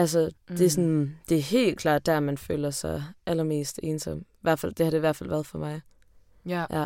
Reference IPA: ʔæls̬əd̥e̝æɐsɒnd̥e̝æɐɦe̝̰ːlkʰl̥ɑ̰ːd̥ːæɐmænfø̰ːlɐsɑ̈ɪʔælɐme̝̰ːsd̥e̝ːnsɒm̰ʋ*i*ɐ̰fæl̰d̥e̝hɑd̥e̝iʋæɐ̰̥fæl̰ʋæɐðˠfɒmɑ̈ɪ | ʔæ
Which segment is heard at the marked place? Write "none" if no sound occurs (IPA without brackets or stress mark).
æ